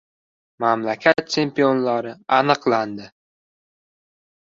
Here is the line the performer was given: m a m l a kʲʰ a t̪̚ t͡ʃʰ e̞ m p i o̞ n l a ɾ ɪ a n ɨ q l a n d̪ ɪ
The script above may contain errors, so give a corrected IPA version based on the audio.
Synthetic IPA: m a m l a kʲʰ a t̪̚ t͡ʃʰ e̞ m p i o̞ n l a ɾ ɪ a n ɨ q l a n d̪ ɪ